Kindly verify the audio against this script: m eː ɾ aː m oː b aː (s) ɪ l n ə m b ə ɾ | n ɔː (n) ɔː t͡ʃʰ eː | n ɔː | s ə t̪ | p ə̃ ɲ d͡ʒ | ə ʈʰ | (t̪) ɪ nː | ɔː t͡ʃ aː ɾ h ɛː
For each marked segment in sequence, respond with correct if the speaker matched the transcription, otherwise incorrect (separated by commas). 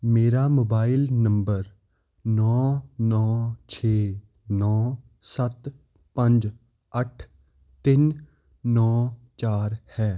incorrect, correct, correct